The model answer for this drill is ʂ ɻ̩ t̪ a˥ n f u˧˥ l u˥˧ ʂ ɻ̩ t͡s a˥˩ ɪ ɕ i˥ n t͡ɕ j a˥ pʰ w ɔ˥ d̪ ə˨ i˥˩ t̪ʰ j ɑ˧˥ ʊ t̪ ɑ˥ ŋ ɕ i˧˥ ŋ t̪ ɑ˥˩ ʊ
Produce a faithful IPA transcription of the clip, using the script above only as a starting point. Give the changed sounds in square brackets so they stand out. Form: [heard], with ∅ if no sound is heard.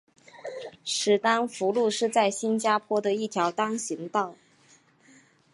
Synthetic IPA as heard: ʂ ɻ̩ t̪ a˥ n f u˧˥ l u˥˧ ʂ ɻ̩ t͡s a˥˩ ɪ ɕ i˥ n t͡ɕ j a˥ pʰ w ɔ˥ d̪ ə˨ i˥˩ t̪ʰ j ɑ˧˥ ʊ t̪ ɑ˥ ŋ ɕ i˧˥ ŋ t̪ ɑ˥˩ ʊ

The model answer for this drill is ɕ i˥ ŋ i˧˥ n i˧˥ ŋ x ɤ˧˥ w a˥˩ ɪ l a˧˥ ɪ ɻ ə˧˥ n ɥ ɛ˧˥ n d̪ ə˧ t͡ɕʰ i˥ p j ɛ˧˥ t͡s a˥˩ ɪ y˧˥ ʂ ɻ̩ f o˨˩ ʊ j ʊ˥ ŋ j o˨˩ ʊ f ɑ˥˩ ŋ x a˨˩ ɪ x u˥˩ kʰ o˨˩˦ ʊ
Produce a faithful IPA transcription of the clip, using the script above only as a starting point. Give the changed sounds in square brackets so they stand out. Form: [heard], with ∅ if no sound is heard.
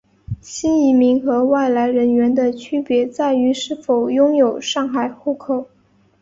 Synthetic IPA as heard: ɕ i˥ [n] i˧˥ [m] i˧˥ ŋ x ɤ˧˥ w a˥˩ ɪ l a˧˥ ɪ ɻ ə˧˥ n ɥ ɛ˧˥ n d̪ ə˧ t͡ɕʰ [y˥] p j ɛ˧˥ t͡s a˥˩ ɪ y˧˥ ʂ ɻ̩ f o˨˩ ʊ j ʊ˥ ŋ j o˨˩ ʊ [ʂ] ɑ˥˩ ŋ x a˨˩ ɪ x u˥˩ kʰ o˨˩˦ ʊ

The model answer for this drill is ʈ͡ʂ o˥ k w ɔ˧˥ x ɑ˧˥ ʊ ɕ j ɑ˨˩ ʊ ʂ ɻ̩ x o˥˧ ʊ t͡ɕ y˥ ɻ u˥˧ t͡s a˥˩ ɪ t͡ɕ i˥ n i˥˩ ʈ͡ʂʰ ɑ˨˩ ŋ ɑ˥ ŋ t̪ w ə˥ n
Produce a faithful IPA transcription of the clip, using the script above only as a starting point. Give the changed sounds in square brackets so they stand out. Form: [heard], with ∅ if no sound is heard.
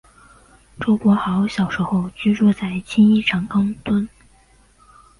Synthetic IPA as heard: ʈ͡ʂ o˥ k w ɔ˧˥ x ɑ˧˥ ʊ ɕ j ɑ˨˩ ʊ ʂ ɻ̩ x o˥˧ ʊ t͡ɕ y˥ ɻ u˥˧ t͡s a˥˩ ɪ [t͡ɕʰ] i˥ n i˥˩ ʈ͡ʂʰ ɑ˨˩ ŋ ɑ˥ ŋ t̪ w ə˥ n

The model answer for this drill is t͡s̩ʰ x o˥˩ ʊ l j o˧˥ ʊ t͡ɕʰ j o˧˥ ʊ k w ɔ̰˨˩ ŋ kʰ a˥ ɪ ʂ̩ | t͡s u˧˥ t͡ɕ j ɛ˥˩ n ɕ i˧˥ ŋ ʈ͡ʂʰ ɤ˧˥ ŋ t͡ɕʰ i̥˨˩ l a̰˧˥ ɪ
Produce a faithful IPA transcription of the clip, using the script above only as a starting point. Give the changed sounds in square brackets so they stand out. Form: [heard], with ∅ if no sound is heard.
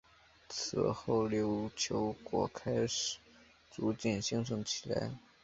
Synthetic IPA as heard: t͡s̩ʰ x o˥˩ ʊ l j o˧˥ ʊ t͡ɕʰ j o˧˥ ʊ k w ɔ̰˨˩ [∅] kʰ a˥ ɪ ʂ̩ | t͡s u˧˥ t͡ɕ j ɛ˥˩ n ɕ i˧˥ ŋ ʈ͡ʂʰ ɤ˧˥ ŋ t͡ɕʰ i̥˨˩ l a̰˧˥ ɪ

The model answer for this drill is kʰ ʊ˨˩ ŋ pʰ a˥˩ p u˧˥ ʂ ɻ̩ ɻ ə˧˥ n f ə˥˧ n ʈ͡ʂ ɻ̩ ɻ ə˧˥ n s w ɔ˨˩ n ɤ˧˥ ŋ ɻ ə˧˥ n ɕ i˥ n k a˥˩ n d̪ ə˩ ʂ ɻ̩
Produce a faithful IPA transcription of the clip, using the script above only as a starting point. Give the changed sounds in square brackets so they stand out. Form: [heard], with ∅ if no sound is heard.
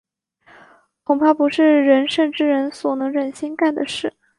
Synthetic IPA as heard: kʰ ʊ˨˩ ŋ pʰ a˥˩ p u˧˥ ʂ ɻ̩ ɻ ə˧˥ n [ʂ] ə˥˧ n ʈ͡ʂ ɻ̩ ɻ ə˧˥ n s w ɔ˨˩ n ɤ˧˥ ŋ ɻ [ə˨˩] n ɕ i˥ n k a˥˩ n d̪ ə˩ ʂ ɻ̩

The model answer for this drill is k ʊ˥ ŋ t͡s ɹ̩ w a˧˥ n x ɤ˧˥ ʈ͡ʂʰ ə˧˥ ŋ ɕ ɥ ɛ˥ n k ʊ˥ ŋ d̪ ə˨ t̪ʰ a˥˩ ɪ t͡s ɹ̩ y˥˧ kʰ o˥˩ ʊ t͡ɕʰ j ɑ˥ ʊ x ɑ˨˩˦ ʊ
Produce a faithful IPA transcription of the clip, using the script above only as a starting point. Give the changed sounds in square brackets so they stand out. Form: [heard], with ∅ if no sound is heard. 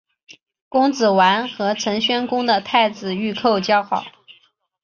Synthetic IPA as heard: k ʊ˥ ŋ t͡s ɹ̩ w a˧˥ n x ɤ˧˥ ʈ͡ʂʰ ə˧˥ ŋ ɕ ɥ ɛ˥ n k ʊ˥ ŋ d̪ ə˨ t̪ʰ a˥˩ ɪ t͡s ɹ̩ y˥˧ kʰ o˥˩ ʊ [t͡ɕ] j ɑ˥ ʊ x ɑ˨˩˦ ʊ

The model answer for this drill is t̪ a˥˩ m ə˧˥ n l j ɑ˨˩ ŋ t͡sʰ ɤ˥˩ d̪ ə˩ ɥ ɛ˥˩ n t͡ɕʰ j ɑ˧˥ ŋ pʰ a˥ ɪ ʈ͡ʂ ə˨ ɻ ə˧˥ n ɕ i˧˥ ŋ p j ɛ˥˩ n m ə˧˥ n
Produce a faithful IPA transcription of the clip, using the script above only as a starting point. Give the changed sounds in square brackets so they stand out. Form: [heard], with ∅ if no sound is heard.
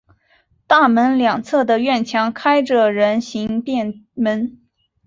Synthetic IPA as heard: t̪ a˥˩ m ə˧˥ n l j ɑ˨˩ ŋ t͡sʰ ɤ˥˩ d̪ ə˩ ɥ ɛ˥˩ n t͡ɕʰ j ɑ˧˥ ŋ [kʰ] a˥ ɪ ʈ͡ʂ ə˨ ɻ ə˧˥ n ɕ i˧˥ ŋ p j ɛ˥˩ n m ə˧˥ n

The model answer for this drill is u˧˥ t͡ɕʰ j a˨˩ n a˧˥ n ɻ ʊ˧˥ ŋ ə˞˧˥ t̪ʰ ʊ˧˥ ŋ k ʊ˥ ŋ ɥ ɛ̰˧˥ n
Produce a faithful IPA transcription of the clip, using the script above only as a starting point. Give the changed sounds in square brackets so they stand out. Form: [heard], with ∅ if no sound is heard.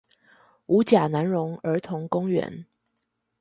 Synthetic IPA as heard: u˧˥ [t͡ɕ] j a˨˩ n a˧˥ n ɻ ʊ˧˥ ŋ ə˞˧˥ t̪ʰ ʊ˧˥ ŋ k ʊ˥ ŋ ɥ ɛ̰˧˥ n

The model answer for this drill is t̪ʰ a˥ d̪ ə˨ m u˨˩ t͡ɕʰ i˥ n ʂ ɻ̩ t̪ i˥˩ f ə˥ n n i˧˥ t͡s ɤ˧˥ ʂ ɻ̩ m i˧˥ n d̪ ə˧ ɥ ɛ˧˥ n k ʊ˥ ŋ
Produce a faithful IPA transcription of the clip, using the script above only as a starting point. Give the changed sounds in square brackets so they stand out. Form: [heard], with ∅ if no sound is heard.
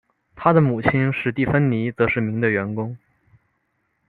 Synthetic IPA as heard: t̪ʰ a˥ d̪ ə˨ m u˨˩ t͡ɕʰ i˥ n ʂ ɻ̩ t̪ i˥˩ f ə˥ n n i˧˥ t͡s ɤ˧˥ ʂ ɻ̩ m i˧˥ [ŋ] d̪ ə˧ ɥ ɛ˧˥ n k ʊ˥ ŋ

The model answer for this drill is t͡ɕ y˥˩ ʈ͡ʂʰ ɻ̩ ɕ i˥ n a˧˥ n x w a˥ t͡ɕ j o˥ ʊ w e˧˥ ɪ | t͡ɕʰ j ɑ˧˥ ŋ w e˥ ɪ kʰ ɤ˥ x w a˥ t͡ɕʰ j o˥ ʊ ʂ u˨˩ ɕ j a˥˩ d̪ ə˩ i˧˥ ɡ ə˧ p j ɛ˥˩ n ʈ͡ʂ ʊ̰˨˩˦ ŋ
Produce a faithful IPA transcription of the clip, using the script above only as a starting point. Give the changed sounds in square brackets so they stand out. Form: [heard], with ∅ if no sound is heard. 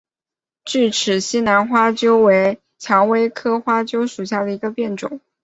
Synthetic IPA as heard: t͡ɕ y˥˩ ʈ͡ʂʰ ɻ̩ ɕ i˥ n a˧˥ n x w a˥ t͡ɕ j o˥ ʊ w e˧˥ ɪ | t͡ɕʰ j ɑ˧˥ ŋ w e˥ ɪ kʰ ɤ˥ x w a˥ [t͡ɕ] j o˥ ʊ ʂ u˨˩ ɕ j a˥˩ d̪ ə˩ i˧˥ ɡ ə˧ p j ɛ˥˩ n ʈ͡ʂ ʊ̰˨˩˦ ŋ

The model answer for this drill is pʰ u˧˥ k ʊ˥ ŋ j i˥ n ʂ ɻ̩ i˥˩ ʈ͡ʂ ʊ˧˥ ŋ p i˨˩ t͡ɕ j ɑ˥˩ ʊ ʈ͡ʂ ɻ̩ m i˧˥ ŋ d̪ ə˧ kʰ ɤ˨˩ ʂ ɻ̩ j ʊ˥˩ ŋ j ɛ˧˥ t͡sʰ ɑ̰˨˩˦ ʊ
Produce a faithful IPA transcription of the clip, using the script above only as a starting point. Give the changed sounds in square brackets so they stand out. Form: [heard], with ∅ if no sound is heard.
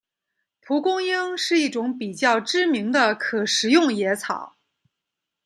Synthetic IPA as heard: pʰ u˧˥ k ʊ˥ ŋ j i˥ [ŋ] ʂ ɻ̩ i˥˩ ʈ͡ʂ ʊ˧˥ ŋ p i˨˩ t͡ɕ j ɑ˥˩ ʊ ʈ͡ʂ ɻ̩ m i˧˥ ŋ d̪ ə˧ kʰ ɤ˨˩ ʂ ɻ̩ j ʊ˥˩ ŋ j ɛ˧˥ t͡sʰ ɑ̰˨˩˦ ʊ

